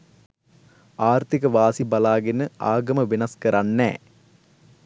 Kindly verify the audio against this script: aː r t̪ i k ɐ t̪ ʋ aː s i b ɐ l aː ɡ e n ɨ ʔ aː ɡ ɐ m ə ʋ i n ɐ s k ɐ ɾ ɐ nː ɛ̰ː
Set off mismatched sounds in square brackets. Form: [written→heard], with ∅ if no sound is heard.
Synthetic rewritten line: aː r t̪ i k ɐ [t̪→∅] ʋ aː s i b ɐ l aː ɡ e n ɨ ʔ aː ɡ ɐ m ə ʋ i n ɐ s k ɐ ɾ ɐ nː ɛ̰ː